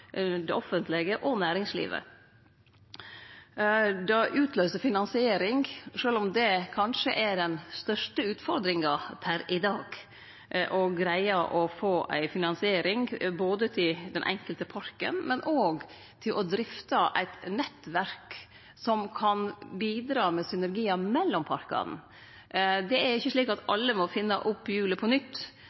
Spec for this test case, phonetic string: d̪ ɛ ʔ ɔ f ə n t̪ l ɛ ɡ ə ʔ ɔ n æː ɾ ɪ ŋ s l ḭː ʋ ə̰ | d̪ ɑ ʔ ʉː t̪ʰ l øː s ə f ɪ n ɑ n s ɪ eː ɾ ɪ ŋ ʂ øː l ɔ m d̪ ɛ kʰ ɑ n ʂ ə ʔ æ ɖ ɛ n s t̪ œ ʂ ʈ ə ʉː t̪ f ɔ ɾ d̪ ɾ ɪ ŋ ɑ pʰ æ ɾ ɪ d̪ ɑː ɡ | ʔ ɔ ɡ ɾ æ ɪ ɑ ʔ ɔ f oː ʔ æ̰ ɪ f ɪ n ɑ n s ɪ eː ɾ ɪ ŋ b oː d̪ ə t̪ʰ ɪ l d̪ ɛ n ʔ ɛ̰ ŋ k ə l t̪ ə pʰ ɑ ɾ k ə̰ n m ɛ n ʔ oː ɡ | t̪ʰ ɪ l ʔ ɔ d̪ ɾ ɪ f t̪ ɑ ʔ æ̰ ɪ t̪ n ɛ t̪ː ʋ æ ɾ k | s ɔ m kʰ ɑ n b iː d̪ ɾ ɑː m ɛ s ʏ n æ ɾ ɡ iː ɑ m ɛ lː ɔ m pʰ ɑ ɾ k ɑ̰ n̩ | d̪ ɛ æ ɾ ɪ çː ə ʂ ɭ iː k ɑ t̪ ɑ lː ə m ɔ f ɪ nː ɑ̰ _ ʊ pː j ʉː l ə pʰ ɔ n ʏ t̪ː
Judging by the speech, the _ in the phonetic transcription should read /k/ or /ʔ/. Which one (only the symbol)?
ʔ